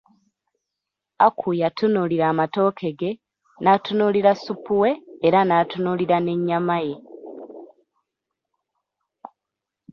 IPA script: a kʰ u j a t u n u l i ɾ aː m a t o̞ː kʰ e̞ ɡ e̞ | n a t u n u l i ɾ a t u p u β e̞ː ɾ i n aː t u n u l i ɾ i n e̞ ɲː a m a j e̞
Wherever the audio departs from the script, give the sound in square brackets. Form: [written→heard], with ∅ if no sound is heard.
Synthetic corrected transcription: a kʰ u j a t u n u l i ɾ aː m a t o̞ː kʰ e̞ ɡ e̞ | n a t u n u l i ɾ a [t→s] u p u [β→w] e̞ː ɾ [i→a] n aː t u n u l i ɾ [i→a] n e̞ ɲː a m a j e̞